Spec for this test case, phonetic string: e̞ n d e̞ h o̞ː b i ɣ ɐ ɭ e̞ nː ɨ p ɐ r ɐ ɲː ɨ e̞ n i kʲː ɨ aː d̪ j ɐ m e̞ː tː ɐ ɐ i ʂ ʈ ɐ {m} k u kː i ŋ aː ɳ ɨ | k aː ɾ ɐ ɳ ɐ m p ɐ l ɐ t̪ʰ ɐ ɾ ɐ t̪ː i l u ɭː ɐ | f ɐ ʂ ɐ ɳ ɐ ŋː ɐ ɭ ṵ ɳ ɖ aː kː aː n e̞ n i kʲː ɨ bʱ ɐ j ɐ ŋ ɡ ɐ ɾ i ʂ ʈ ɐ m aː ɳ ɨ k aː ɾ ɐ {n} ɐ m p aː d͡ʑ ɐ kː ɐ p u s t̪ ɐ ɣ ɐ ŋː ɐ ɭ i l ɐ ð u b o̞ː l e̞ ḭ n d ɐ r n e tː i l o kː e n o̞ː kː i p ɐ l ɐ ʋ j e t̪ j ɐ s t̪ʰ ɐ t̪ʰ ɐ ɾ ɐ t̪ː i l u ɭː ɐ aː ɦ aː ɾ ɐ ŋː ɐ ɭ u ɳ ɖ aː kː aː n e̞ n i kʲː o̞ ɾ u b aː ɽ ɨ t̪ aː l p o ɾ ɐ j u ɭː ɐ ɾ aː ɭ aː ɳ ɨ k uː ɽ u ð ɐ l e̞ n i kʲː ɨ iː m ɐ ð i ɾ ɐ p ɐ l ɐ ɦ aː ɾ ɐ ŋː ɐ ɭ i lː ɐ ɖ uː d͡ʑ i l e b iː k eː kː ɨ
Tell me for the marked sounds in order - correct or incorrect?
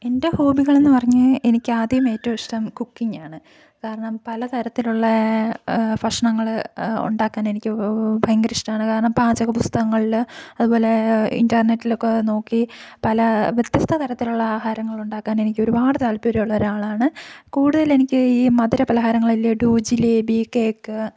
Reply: correct, incorrect: ɳ

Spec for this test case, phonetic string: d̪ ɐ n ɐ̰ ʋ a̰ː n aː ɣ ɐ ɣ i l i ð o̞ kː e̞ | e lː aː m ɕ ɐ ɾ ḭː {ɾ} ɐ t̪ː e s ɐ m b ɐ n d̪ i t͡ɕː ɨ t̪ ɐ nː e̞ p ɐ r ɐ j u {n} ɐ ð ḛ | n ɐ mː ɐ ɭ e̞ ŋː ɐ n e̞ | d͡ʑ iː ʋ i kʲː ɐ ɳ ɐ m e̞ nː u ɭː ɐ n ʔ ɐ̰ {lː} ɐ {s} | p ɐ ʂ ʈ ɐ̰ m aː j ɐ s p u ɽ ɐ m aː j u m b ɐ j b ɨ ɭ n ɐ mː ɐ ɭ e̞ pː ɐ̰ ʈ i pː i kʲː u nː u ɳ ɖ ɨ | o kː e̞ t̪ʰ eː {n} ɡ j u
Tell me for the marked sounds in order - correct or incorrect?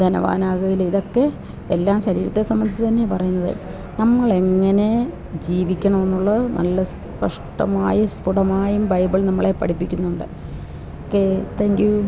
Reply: correct, incorrect: nː, correct, correct, incorrect: ŋ

